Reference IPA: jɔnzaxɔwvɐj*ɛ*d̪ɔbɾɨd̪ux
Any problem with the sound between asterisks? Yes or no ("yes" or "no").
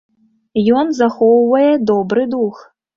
no